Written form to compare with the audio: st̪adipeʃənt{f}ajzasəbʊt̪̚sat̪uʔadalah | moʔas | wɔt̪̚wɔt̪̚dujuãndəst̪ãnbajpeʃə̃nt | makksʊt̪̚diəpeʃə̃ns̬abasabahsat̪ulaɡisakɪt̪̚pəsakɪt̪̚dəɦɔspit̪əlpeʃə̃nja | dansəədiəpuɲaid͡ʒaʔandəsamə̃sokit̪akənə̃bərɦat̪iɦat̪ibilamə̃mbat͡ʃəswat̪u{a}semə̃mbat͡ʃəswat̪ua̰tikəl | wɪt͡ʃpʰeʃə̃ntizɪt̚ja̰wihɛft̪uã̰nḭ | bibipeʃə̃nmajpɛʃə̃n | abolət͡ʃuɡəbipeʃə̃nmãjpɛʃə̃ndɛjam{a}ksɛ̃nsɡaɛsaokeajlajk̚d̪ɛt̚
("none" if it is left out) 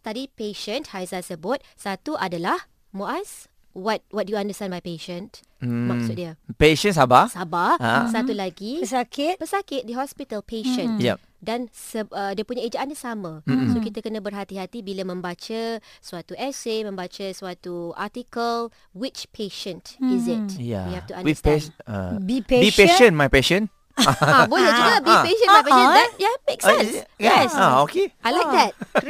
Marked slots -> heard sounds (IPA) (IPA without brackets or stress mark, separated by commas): h, ɛ, e